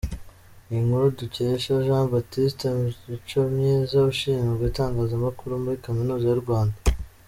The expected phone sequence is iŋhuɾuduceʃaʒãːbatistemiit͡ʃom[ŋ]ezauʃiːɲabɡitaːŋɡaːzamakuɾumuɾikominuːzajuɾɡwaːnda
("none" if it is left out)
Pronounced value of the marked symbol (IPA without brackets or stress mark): ɲ